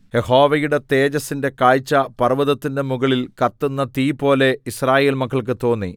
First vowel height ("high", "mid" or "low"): mid